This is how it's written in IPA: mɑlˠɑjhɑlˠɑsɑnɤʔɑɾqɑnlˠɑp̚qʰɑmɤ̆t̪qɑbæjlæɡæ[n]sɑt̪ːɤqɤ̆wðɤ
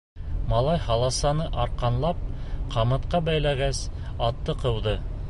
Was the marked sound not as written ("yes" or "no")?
yes